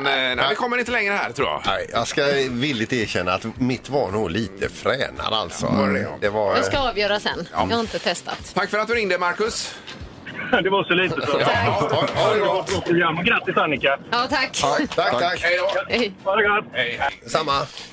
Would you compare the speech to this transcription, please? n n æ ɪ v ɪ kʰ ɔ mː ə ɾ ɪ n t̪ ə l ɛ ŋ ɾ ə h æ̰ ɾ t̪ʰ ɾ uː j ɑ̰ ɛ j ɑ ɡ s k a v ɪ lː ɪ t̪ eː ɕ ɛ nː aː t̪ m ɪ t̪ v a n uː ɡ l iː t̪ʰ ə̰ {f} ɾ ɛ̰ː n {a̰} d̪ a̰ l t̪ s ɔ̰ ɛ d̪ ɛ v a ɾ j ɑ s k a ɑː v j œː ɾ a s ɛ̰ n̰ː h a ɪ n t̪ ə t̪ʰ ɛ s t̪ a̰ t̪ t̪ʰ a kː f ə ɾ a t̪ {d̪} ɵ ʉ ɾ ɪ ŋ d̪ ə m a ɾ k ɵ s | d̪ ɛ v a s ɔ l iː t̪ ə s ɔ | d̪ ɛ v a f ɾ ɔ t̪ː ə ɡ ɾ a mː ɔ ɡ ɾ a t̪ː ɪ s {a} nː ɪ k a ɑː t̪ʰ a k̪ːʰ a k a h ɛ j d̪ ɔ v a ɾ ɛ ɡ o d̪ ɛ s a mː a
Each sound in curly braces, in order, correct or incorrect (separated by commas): correct, correct, correct, correct